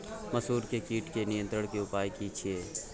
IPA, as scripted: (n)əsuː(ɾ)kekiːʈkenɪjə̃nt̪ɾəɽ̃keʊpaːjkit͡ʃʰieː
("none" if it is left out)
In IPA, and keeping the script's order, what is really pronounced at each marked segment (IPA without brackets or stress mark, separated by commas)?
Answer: m, ɾ